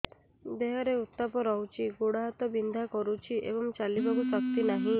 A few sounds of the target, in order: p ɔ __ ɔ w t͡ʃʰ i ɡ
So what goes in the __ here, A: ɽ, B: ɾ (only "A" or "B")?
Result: B